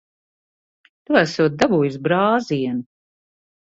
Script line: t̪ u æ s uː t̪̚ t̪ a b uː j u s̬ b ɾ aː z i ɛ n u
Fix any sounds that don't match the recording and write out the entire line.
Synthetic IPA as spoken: t̪ u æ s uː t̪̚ d̪ a b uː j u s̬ b ɾ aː z i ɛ n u

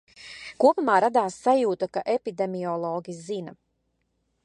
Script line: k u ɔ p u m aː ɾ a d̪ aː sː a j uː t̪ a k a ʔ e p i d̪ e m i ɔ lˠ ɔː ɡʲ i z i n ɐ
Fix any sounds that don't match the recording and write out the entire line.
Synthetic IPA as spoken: k u ɔ p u m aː ɾ a d̪ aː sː a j uː t̪ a k a ʔ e p i d̪ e m i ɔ lˠ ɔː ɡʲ i z i n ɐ

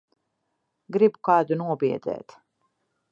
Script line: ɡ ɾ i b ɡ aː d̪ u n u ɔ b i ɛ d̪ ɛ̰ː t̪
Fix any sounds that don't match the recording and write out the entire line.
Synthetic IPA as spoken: ɡ ɾ i b k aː d̪ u n u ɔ b i ɛ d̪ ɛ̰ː t̪

